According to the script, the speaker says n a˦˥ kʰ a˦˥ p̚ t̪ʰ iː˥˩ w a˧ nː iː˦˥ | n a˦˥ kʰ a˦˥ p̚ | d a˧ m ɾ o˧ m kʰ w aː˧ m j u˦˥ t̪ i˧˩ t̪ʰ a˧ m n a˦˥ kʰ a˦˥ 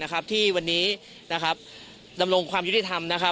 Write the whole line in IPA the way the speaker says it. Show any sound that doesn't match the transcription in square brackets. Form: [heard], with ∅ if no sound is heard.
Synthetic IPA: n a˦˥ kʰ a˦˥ p̚ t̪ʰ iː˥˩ w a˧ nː iː˦˥ | n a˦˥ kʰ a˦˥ p̚ | d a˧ m ɾ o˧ [ŋ] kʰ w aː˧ m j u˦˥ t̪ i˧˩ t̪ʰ a˧ m n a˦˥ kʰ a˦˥